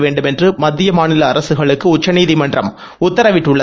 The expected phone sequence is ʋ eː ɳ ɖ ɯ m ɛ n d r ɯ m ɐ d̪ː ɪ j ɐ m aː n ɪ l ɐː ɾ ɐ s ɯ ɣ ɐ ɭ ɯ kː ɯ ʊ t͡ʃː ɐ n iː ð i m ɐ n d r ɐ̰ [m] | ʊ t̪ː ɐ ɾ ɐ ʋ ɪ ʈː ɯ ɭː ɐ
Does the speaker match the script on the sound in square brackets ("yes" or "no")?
yes